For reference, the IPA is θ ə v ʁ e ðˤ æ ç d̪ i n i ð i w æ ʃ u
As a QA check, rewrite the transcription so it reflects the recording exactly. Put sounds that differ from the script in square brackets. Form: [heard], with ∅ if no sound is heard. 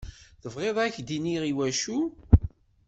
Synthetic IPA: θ ə v ʁ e ðˤ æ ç d̪ i n i [ʁ] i w æ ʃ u

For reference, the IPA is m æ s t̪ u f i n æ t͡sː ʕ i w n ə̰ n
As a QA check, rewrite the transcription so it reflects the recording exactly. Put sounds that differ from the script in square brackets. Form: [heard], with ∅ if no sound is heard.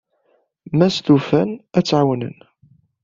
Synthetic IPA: m æ s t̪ u f [æ] n æ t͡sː ʕ [a] w n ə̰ n

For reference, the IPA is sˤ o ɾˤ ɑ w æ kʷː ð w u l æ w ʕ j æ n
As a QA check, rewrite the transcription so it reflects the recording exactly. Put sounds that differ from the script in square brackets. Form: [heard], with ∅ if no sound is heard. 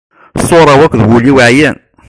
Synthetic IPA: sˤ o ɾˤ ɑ w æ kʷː ð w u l [i] w ʕ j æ n

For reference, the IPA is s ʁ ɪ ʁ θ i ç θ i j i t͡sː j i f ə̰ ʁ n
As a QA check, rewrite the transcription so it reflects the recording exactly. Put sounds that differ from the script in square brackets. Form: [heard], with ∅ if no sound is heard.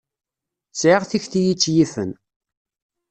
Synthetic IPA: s [ʕ] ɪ ʁ θ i ç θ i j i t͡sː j i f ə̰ [∅] n

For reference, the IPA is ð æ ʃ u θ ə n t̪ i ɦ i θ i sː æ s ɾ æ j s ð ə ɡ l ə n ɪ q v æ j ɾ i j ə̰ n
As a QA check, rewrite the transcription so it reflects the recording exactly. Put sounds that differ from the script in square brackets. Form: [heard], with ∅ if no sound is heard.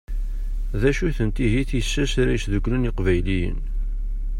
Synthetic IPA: ð æ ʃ u θ ə n t̪ i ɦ i θ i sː æ s ɾ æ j s ð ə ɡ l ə n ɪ q v æ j [l] i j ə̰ n

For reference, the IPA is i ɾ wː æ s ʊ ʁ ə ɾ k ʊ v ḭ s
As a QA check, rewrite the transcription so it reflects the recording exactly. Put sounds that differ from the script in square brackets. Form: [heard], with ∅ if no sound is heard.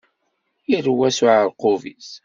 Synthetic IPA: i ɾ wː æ s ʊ [ʕ] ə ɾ [q] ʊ v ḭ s

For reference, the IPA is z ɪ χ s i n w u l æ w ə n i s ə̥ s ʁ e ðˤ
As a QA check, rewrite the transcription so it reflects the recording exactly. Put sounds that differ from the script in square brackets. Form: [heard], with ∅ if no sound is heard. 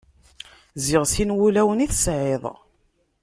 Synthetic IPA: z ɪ [ʁ] s i n w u l æ w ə n i [θ] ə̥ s [ʕ] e ðˤ

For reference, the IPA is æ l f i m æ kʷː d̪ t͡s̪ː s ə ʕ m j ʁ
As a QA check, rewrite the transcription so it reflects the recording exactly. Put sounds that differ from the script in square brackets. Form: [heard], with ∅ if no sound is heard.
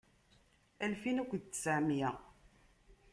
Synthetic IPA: æ l f i [n] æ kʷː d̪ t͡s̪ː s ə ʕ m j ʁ

